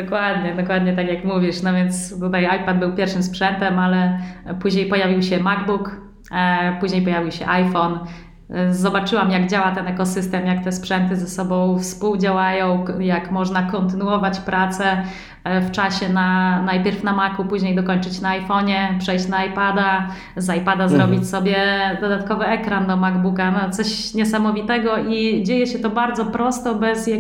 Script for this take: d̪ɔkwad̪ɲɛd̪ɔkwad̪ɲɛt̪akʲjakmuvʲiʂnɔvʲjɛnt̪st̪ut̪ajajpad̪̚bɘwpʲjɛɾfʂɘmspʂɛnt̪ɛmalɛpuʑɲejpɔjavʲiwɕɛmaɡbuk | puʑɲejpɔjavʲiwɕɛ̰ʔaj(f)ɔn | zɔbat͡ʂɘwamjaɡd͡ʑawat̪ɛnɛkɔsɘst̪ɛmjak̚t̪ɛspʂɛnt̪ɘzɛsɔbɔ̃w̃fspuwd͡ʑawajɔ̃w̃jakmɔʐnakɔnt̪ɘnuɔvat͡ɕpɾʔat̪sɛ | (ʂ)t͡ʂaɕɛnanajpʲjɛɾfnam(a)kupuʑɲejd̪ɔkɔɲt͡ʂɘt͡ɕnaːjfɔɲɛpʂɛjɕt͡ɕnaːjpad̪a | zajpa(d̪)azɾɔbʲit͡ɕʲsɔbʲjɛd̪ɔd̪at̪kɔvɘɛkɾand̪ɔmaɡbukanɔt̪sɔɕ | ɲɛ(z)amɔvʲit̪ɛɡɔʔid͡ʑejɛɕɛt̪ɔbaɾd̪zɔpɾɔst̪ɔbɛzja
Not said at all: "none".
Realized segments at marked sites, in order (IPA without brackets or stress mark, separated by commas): f, f, a, d̪, s